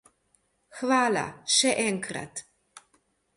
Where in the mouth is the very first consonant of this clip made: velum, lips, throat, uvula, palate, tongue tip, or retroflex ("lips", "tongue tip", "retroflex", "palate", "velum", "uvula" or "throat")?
velum